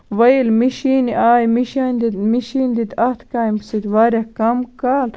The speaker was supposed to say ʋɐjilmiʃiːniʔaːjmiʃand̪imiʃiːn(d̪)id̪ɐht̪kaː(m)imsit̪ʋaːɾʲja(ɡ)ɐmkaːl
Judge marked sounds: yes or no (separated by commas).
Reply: yes, no, no